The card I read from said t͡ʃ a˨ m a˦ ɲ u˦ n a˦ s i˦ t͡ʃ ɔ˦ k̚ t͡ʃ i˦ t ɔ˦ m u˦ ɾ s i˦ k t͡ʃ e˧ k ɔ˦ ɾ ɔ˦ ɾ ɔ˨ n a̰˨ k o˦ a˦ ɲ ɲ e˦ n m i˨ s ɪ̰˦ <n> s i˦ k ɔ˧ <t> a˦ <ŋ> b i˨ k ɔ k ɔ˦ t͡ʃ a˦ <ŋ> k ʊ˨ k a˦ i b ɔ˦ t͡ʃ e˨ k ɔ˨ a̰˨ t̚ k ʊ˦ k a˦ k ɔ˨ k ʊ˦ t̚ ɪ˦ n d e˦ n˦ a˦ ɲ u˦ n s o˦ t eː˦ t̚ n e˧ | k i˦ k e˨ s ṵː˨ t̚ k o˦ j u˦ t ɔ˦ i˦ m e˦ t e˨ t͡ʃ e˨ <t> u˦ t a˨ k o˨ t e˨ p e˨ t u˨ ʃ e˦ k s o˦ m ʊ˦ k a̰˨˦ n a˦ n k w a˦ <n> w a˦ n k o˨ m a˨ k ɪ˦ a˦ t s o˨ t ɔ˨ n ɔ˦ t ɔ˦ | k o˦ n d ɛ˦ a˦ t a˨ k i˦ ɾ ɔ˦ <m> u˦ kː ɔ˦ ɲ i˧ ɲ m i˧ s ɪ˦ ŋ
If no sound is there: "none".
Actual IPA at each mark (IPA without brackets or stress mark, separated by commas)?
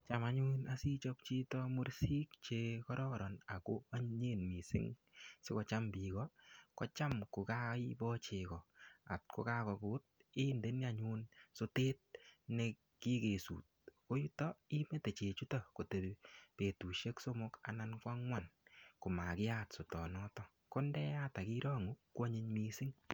ŋ, t͡ʃ, m, m, t͡ʃ, ŋ, ŋ